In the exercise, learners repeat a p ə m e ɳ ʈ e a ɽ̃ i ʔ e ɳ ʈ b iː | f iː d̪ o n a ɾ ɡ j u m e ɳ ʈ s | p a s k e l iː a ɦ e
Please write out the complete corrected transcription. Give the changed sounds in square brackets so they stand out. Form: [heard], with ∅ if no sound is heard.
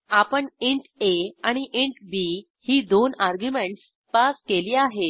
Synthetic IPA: a p ə [ɳ] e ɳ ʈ e a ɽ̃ i ʔ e ɳ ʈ b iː | [h] iː d̪ o n a ɾ ɡ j u m e ɳ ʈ s | p a s k e l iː a ɦ e